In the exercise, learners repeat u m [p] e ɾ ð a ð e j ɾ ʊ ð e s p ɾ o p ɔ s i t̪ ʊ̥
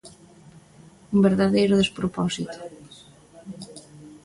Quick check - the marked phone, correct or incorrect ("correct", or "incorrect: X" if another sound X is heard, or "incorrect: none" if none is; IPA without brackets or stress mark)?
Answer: incorrect: b